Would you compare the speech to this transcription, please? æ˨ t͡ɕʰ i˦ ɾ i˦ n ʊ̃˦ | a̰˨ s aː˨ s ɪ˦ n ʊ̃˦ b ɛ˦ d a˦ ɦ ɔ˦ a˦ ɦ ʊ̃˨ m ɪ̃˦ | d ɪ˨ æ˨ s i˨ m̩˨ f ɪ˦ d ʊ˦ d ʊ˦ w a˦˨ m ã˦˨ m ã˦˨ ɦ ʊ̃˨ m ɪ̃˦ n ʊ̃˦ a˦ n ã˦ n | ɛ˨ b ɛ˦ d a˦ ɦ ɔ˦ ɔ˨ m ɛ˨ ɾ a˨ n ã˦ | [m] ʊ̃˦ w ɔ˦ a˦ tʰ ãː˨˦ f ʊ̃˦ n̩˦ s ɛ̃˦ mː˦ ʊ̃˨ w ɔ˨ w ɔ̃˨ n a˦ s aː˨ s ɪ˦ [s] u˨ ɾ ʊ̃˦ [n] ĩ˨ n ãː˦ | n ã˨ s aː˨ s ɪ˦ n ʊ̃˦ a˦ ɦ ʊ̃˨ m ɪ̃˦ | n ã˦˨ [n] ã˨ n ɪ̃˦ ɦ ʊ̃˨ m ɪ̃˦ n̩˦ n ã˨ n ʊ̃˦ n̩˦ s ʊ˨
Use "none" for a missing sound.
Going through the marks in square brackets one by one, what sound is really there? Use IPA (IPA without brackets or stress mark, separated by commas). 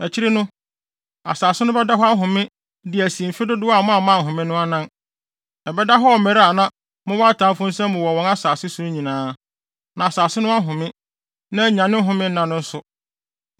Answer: m, s, ɲ, ɲ